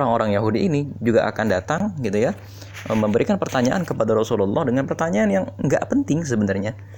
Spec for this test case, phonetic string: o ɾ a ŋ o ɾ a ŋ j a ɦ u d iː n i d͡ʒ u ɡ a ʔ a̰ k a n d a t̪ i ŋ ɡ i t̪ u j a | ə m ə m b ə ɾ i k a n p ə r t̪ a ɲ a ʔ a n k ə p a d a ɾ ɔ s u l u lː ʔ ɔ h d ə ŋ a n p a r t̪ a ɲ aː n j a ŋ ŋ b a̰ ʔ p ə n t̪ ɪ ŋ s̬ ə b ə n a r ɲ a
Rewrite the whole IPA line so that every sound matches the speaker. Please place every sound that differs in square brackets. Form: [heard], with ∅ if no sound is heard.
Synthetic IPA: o ɾ a ŋ o ɾ a ŋ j a ɦ u d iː n i d͡ʒ u ɡ a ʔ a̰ k a n d a t̪ [a] ŋ ɡ i t̪ u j a | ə m ə m b ə ɾ i k a n p ə r t̪ a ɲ a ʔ a n k ə p a d a ɾ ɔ s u l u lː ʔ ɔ h d ə ŋ a n p [ə] r t̪ a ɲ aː n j a ŋ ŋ [ɡ] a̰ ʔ p ə n t̪ ɪ ŋ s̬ ə b ə n a r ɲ a